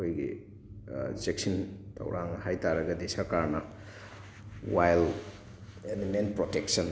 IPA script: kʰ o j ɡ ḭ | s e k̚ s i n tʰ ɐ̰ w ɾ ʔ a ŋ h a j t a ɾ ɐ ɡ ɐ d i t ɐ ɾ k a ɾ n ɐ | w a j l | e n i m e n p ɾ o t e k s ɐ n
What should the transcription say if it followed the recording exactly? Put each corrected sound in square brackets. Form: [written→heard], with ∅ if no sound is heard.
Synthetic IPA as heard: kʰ o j ɡ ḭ | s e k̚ s i n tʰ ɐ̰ w ɾ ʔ a ŋ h a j t a ɾ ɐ ɡ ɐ d i [t→s] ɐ ɾ k a ɾ n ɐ | w a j l | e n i m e n p ɾ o t e k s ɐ n